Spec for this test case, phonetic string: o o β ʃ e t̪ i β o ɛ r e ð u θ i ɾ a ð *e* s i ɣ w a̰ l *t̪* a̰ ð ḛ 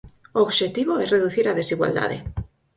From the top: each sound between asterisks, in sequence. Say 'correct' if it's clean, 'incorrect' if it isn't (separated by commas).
correct, incorrect